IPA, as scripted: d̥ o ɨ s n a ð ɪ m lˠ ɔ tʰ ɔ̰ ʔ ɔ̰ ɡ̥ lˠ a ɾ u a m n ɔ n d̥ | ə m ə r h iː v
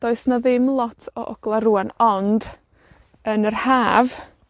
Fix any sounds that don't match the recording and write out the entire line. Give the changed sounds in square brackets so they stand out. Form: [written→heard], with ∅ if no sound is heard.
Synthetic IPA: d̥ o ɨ s n a ð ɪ m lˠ ɔ tʰ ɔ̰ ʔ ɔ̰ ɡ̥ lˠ a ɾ u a [m→∅] n ɔ n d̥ | ə [m→n] ə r h [iː→aː] v